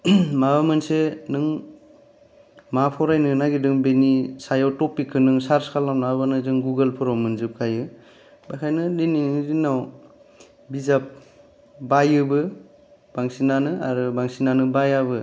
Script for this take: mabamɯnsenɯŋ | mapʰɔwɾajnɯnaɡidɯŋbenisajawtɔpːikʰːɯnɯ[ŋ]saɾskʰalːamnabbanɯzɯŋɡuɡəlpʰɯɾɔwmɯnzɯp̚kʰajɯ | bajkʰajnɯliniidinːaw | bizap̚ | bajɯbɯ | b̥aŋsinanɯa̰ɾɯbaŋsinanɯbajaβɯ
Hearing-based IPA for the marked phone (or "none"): ŋ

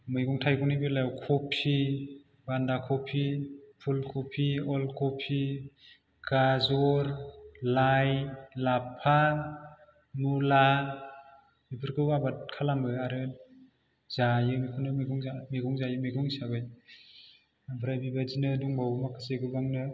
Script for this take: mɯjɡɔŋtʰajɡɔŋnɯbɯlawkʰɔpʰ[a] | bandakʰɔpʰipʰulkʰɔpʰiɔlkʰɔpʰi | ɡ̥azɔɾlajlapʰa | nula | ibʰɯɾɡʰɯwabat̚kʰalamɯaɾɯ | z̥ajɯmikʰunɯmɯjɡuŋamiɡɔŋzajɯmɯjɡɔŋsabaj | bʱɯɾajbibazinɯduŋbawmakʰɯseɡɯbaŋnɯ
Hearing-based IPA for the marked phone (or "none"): i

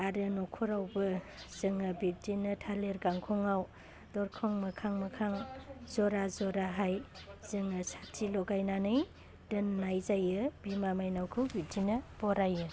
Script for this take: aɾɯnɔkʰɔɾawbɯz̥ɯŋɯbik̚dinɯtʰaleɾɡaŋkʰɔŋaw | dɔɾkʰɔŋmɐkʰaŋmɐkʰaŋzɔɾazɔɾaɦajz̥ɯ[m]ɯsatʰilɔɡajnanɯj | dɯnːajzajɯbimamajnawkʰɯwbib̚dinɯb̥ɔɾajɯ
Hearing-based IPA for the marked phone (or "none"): ŋ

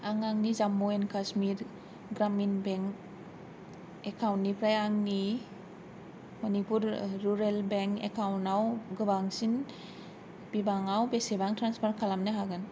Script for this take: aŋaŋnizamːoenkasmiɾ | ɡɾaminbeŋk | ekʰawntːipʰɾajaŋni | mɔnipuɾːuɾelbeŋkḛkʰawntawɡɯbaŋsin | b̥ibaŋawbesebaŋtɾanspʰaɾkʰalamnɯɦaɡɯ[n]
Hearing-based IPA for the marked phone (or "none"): n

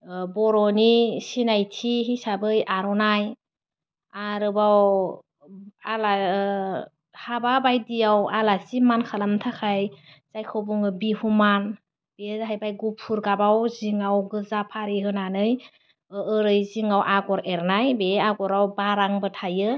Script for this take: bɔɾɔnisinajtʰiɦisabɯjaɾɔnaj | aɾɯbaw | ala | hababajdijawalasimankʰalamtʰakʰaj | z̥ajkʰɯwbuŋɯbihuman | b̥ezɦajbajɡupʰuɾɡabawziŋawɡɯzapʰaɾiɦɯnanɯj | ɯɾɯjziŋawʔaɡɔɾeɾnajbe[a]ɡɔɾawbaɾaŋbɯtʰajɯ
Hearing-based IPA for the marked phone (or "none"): a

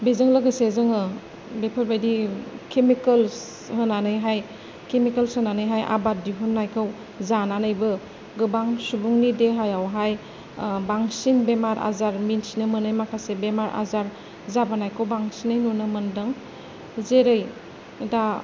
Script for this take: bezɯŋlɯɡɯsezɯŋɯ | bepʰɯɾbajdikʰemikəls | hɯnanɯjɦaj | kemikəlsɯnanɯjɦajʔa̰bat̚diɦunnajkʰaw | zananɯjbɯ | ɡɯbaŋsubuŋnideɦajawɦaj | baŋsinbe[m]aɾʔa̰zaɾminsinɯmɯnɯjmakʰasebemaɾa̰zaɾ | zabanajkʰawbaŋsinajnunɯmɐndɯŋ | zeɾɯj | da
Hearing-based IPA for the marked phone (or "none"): m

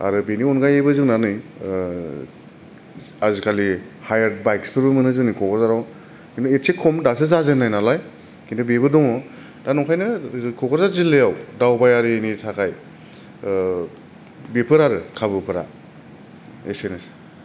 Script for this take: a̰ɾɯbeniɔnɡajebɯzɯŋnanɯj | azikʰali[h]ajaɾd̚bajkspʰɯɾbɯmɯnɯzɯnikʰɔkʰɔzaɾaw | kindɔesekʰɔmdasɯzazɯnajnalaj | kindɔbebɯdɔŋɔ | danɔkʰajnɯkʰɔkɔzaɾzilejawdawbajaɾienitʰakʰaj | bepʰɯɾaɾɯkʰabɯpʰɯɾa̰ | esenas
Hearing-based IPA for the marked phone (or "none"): h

